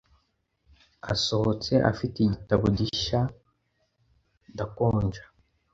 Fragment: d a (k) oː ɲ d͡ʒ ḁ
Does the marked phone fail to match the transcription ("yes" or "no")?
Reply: no